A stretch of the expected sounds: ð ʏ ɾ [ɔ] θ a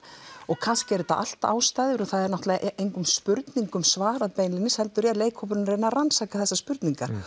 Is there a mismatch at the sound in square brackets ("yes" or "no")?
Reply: no